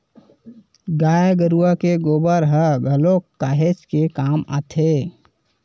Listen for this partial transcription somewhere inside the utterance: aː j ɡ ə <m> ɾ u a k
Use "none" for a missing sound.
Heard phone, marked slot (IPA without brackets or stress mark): none